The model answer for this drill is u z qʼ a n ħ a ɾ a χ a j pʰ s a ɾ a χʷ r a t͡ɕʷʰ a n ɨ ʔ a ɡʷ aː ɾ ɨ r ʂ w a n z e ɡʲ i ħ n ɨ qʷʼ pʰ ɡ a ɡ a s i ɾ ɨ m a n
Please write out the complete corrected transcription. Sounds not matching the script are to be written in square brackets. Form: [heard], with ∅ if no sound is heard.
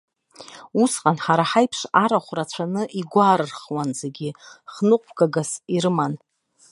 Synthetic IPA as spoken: u [s] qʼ a n ħ a ɾ a [ħ] a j pʰ [ʂ] a ɾ a χʷ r a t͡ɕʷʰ a n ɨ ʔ [i] ɡʷ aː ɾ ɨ r [χ] w a n z e ɡʲ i [χ] n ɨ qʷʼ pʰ ɡ a ɡ a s i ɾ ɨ m a n